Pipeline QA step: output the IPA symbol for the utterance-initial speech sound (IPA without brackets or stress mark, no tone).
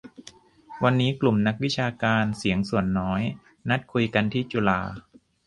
w